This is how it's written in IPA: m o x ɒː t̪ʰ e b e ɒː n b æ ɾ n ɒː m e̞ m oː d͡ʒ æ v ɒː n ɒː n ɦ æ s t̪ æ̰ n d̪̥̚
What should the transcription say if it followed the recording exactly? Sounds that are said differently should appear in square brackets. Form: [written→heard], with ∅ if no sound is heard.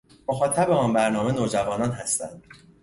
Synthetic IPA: m o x ɒː t̪ʰ [e→æ] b e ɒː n b æ ɾ n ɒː m e̞ [m→n] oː d͡ʒ æ v ɒː n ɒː n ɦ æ s t̪ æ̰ n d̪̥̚